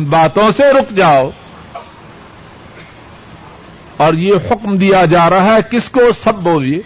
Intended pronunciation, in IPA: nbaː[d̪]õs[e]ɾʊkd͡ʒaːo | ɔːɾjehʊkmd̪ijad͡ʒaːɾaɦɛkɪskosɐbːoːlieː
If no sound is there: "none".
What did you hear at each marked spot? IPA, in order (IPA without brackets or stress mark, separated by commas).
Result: t̪, e